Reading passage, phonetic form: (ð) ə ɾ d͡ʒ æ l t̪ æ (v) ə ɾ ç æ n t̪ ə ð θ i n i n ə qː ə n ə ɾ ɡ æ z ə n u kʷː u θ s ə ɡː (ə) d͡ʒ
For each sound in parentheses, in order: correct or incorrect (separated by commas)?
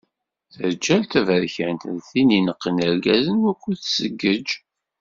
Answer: incorrect, correct, correct